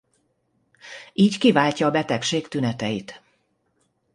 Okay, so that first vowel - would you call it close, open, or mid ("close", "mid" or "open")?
close